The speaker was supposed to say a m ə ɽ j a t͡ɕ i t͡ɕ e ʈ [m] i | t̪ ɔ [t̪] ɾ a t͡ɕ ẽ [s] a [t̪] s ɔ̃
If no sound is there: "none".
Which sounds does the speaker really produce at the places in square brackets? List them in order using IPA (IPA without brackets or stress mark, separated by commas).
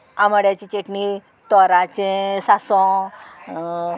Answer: n, none, s, none